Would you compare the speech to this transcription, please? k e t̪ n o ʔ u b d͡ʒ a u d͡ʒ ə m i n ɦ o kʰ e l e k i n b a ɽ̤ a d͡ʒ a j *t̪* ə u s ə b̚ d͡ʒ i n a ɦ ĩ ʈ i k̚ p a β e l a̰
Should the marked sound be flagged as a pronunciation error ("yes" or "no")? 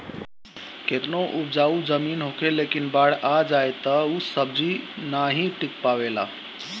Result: no